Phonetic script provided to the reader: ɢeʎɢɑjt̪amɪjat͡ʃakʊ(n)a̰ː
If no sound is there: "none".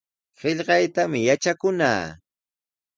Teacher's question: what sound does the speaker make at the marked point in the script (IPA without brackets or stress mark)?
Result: n